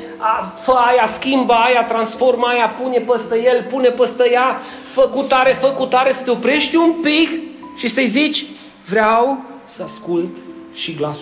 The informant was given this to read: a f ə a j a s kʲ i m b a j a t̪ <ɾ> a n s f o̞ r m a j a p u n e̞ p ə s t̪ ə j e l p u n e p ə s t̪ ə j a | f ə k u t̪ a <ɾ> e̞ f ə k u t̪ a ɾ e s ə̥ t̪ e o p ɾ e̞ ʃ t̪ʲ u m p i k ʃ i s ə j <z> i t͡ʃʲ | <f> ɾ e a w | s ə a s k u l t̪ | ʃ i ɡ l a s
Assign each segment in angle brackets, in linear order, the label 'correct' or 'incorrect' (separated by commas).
correct, correct, correct, incorrect